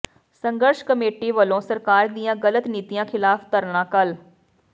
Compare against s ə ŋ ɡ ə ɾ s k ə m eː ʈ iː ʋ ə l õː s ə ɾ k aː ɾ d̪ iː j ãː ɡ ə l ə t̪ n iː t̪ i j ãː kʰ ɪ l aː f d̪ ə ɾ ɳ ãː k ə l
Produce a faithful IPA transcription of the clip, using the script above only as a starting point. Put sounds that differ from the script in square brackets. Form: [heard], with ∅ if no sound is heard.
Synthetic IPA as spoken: s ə ŋ ɡ ə ɾ [ʃ] k ə m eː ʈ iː ʋ ə l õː s ə ɾ k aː ɾ d̪ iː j ãː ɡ ə l ə t̪ n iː t̪ i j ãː kʰ ɪ l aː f [t̪] ə ɾ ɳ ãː k ə l